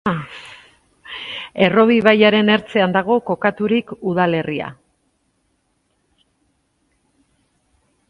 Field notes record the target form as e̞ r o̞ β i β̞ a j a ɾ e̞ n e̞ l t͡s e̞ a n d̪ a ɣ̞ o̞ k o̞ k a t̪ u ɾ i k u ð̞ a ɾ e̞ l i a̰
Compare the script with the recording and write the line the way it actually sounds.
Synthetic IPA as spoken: e̞ r o̞ β i β̞ a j a ɾ e̞ n e̞ ɾ t͡s e̞ a n d̪ a ɣ̞ o̞ k o̞ k a t̪ u ɾ i k u ð̞ a l e̞ r i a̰